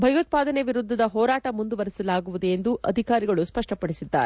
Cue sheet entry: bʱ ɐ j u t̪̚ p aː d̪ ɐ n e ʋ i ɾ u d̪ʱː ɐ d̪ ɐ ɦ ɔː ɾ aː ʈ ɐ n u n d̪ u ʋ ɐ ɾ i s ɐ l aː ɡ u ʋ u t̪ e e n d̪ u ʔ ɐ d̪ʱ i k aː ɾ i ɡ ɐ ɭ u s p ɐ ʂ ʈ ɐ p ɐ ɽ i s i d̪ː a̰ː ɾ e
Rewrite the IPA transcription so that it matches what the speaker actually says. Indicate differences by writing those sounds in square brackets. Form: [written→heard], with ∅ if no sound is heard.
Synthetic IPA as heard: bʱ ɐ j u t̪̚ p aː d̪ ɐ n e ʋ i ɾ u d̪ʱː ɐ d̪ ɐ ɦ ɔː ɾ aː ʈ ɐ [n→m] u n d̪ u ʋ ɐ ɾ i s ɐ l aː ɡ u ʋ u [t̪→d̪] e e n d̪ u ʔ ɐ d̪ʱ i k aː ɾ i ɡ ɐ ɭ u s p ɐ ʂ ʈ ɐ p ɐ ɽ i s i d̪ː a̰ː ɾ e